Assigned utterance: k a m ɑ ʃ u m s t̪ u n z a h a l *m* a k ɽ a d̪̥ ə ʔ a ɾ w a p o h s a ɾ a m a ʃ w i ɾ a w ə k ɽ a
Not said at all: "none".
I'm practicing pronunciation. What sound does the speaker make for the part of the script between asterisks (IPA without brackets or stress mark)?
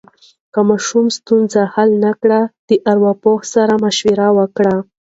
n